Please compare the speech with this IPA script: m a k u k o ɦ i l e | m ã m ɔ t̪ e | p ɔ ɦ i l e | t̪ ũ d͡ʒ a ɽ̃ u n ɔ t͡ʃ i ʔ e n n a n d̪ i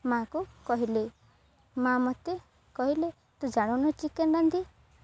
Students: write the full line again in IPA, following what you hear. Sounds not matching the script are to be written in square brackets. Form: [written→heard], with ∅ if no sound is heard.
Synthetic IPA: m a k u k [o→ɔ] ɦ i l e | m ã m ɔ t̪ e | [p→k] ɔ ɦ i l e | t̪ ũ d͡ʒ a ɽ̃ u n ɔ t͡ʃ i [ʔ→k] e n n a n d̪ i